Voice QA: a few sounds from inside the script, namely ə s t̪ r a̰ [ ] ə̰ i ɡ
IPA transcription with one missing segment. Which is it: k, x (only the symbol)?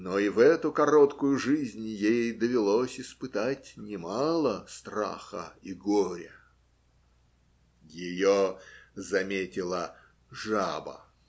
x